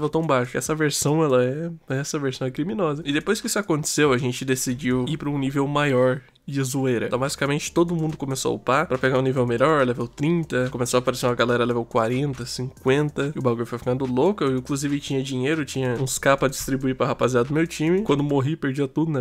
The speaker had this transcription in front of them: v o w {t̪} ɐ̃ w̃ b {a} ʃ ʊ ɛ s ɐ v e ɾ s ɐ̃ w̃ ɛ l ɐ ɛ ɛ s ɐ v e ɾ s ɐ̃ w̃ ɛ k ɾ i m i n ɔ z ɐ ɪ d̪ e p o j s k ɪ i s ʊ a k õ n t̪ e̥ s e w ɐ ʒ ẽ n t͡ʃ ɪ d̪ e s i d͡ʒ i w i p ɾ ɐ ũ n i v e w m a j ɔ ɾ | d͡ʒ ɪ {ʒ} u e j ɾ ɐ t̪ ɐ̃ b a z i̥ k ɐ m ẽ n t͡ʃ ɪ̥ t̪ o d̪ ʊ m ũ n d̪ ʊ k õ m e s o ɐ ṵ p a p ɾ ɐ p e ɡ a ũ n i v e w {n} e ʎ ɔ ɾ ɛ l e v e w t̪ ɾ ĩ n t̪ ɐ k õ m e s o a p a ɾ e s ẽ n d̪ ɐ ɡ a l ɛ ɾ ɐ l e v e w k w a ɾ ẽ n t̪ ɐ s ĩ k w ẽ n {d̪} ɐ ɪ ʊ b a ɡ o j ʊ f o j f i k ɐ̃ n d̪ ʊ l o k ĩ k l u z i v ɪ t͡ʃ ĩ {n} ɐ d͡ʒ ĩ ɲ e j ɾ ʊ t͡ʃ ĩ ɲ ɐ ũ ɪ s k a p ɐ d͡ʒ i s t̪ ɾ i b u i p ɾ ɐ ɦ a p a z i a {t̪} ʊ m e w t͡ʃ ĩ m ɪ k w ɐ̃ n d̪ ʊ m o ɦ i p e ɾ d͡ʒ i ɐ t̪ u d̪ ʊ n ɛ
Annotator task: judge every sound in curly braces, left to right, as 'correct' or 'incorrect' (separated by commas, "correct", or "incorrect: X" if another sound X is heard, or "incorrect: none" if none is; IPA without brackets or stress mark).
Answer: correct, correct, incorrect: z, incorrect: m, incorrect: t̪, incorrect: ɲ, incorrect: d̪